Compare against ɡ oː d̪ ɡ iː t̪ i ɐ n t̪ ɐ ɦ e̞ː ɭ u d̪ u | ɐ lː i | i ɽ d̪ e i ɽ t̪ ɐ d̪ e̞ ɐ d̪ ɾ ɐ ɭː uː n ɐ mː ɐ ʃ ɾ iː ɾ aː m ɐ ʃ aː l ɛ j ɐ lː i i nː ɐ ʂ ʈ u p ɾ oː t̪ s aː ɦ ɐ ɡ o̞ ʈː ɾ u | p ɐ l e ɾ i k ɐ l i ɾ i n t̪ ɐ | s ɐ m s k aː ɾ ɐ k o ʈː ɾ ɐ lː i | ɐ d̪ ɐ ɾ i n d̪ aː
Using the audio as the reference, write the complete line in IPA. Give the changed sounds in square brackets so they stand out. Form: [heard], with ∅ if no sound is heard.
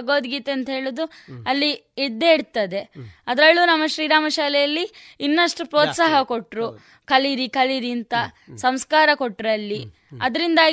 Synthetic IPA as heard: ɡ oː d̪ ɡ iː t̪ [e] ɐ n t̪ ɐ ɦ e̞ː ɭ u d̪ u | ɐ lː i | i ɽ d̪ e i ɽ t̪ ɐ d̪ e̞ ɐ d̪ ɾ ɐ ɭː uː n ɐ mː ɐ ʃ ɾ iː ɾ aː m ɐ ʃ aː l ɛ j ɐ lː i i nː ɐ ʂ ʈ u p ɾ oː t̪ s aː ɦ ɐ [k] o̞ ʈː ɾ u | [k] ɐ l [i] ɾ i k ɐ l i ɾ i n t̪ ɐ | s ɐ m s k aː ɾ ɐ k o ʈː ɾ ɐ lː i | ɐ d̪ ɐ ɾ i n d̪ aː